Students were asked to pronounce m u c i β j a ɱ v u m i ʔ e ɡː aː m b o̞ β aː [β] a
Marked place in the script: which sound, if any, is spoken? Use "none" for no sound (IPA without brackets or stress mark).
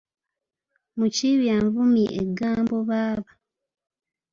β